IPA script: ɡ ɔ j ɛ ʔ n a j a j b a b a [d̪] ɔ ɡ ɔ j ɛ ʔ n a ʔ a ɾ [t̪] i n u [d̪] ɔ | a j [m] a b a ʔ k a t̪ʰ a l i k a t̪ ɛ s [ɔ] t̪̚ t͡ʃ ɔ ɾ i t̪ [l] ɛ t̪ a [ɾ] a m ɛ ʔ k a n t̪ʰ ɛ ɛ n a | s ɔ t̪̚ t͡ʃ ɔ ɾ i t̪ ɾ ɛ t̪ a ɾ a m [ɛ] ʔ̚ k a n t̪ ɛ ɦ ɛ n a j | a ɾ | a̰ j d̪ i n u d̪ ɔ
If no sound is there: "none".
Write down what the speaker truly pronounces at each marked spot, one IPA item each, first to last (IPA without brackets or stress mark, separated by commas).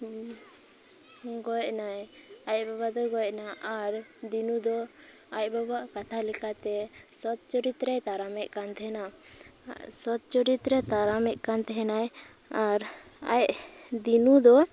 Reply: d̪, d̪, d̪, b, ɔ, ɾ, ɾ, ɛ